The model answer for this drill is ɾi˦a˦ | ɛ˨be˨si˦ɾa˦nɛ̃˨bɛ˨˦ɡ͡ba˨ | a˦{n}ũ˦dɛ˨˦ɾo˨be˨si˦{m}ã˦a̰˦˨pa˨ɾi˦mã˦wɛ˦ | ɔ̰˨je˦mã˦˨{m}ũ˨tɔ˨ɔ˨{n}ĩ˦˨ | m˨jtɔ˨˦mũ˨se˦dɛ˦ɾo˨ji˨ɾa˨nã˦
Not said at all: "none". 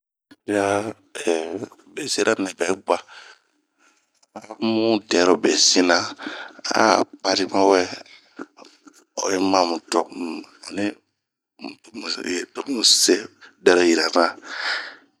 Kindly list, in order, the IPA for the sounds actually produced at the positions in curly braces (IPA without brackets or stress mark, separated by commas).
m, n, m, n